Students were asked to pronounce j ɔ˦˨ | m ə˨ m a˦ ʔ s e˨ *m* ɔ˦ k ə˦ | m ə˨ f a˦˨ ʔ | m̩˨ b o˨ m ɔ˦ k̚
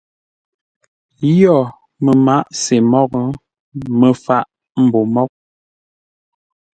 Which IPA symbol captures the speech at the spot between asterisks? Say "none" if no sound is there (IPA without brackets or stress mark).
m